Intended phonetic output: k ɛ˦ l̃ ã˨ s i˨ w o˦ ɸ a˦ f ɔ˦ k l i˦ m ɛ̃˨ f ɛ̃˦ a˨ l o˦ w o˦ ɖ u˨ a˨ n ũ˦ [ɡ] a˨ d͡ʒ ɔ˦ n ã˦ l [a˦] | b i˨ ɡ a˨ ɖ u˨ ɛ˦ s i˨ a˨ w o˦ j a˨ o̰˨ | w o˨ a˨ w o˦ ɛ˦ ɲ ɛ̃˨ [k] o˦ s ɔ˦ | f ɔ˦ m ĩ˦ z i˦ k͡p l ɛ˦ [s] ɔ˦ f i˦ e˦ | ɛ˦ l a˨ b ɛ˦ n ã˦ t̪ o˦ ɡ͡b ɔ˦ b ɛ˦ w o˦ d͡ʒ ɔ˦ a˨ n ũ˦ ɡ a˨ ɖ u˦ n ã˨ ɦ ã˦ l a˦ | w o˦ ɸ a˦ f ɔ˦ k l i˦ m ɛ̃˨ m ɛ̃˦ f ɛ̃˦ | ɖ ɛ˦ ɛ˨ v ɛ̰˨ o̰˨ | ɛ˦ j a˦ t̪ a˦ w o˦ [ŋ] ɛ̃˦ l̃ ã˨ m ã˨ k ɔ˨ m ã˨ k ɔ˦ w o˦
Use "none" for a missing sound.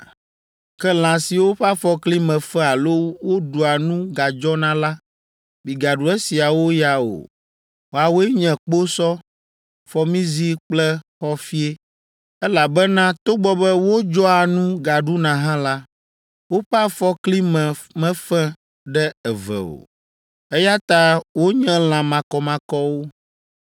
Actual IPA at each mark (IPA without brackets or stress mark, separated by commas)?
ɡ, a˦, k͡p, x, ɲ